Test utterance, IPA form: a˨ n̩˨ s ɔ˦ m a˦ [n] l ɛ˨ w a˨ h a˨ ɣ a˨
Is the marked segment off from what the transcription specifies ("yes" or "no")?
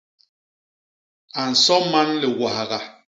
no